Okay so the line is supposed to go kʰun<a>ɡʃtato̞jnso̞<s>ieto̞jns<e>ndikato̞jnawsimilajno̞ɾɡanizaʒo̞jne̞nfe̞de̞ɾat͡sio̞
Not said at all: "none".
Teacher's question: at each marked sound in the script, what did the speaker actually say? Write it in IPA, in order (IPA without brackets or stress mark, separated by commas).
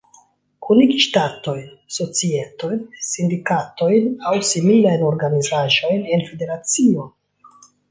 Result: i, t͡s, i